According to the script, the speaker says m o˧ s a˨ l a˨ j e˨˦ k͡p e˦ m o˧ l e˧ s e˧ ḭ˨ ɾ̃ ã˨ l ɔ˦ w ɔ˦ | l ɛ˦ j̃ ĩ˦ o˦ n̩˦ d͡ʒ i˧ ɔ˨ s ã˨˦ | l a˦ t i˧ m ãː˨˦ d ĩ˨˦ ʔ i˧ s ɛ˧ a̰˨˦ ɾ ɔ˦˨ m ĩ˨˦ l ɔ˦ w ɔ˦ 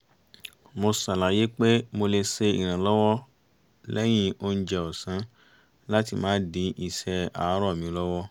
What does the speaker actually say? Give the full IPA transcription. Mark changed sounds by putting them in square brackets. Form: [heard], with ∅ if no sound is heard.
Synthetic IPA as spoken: m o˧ s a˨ l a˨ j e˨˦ k͡p e˦ m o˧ l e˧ s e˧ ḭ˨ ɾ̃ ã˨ l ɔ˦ w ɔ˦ | l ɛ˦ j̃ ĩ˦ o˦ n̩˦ d͡ʒ [ɛ˧] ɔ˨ s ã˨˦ | l a˦ t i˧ m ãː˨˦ d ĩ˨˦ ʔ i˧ s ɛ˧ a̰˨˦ ɾ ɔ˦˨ m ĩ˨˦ l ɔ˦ w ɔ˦